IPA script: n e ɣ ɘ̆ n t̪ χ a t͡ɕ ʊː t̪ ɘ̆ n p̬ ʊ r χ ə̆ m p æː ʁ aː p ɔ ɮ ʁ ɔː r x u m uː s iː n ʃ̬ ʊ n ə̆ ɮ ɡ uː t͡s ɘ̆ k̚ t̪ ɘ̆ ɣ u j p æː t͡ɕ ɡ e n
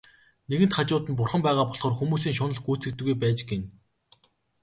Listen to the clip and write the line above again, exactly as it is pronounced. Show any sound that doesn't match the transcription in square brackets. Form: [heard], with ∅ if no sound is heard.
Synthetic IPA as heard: n e ɣ ɘ̆ n t̪ χ a t͡ɕ ʊː t̪ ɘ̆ n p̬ ʊ r χ ə̆ m p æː ʁ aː p ɔ ɮ [χ] ɔː r x u m uː s iː [ŋ] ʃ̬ ʊ n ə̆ ɮ ɡ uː t͡s ɘ̆ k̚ t̪ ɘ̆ ɣ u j p æː t͡ɕ ɡ e n